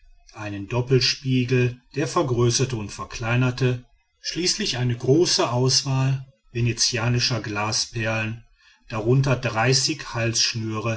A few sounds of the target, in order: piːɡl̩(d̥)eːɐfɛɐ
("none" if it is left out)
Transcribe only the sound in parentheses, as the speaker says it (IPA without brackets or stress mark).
d̥